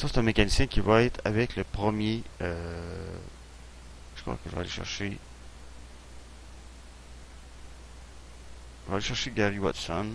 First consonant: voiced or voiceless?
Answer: voiceless